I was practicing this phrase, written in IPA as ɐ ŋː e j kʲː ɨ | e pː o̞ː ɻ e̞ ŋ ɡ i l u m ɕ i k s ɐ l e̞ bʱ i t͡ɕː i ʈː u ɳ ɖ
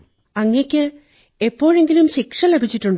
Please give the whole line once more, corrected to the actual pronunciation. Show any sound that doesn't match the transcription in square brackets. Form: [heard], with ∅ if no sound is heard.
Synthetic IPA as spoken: ɐ ŋː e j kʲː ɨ | e pː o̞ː ɻ e̞ ŋ ɡ i l u m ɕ i k [ʂ] ɐ l e̞ bʱ i t͡ɕː i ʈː u ɳ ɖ

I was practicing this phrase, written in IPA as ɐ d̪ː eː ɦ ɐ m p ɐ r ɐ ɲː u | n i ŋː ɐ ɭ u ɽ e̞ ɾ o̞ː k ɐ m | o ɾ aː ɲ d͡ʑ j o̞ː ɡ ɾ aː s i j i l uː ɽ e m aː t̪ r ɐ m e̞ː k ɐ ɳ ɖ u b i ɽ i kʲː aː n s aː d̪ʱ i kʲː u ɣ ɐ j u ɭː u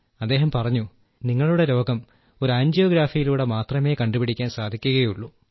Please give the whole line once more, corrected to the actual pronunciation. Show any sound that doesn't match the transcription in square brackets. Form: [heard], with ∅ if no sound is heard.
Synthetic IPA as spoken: ɐ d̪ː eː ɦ ɐ m p ɐ r ɐ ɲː u | n i ŋː ɐ ɭ u ɽ e̞ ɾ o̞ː [ɡ] ɐ m | o ɾ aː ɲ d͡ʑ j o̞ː ɡ ɾ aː [f] i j i l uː ɽ e m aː t̪ r ɐ m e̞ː k ɐ ɳ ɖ u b i ɽ i kʲː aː n s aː d̪ʱ i kʲː u ɣ ɐ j u ɭː u

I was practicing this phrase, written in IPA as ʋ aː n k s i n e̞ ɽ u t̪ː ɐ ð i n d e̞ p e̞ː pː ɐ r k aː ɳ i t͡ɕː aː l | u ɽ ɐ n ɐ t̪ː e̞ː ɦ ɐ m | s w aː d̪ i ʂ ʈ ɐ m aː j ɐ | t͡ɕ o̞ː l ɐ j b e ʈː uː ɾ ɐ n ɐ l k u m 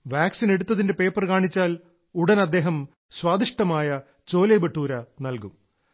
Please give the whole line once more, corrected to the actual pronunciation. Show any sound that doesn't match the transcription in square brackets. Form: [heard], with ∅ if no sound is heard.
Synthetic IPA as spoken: ʋ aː [∅] k s i n e̞ ɽ u t̪ː ɐ ð i n d e̞ p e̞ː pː ɐ r k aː ɳ i t͡ɕː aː l | u ɽ ɐ n ɐ [d̪ː] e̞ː ɦ ɐ m | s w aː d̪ i ʂ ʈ ɐ m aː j ɐ | t͡ɕ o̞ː l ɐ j b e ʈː uː ɾ ɐ n ɐ l k u m

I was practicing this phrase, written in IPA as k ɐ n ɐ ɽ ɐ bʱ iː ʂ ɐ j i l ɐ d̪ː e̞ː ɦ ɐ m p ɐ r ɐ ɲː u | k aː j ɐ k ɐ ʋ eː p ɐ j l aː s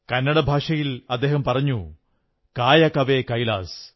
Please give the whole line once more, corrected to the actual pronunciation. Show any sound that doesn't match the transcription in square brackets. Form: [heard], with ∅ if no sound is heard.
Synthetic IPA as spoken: k ɐ [nː] ɐ ɽ ɐ bʱ [aː] ʂ ɐ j i l ɐ d̪ː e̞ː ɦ ɐ m p ɐ r ɐ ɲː u | k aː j ɐ k ɐ ʋ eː [k] ɐ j l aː s

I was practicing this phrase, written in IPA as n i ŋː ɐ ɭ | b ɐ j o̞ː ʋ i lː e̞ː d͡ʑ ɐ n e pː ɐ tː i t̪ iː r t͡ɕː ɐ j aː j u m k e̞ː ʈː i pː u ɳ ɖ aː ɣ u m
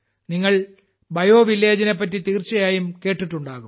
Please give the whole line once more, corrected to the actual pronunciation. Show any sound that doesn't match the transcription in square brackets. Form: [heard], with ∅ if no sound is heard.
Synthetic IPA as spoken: n i ŋː ɐ ɭ | b ɐ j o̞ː ʋ i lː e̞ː d͡ʑ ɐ n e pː ɐ tː i t̪ iː r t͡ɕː ɐ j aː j u m k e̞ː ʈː i [ʈː] u ɳ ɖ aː ɣ u m

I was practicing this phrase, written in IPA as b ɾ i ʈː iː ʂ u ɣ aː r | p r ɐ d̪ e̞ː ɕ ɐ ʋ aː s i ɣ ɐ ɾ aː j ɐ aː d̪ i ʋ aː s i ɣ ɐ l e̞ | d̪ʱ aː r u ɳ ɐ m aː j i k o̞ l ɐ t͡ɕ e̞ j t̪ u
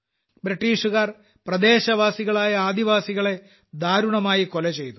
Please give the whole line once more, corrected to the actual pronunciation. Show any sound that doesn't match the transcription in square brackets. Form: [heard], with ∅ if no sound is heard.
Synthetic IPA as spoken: b ɾ i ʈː iː ʂ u ɣ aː r | p r ɐ d̪ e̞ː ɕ ɐ ʋ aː s i ɣ ɐ [ɭ] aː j ɐ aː d̪ i ʋ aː s i ɣ ɐ [ɭ] e̞ | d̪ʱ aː [ɾ] u ɳ ɐ m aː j i k o̞ l ɐ t͡ɕ e̞ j t̪ u

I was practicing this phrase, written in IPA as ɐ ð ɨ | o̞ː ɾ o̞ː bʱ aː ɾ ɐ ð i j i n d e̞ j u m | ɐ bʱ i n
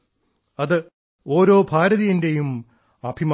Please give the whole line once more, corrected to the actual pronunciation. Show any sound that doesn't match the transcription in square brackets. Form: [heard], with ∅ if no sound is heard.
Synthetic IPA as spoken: ɐ ð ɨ | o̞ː ɾ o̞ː bʱ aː ɾ ɐ ð i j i n d e̞ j u m | ɐ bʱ i [m]

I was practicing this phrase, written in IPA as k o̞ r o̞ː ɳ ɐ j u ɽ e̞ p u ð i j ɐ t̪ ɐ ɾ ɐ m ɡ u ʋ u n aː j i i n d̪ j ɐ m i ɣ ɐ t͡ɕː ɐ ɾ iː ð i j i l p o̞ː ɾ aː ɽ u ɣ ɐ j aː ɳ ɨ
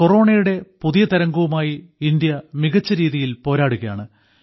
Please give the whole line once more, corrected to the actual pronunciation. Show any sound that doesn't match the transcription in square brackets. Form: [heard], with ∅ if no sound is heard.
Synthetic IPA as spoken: k o̞ r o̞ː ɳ ɐ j u ɽ e̞ p u ð i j ɐ t̪ ɐ ɾ ɐ [ŋ] ɡ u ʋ u [m] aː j i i n d̪ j ɐ m i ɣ ɐ t͡ɕː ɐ ɾ iː ð i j i l p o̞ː ɾ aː ɽ u ɣ ɐ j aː ɳ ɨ

